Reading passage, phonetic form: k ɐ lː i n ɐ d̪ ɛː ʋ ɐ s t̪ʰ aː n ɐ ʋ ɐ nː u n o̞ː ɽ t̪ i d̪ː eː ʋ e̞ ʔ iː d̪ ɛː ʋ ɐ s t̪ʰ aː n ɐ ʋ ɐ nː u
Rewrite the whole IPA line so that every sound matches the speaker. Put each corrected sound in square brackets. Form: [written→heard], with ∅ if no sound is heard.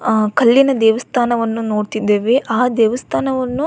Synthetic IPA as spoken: k ɐ lː i n ɐ d̪ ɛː ʋ ɐ s t̪ʰ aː n ɐ ʋ ɐ nː u n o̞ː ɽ t̪ i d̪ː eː ʋ e̞ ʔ [iː→aː] d̪ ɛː ʋ ɐ s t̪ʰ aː n ɐ ʋ ɐ nː u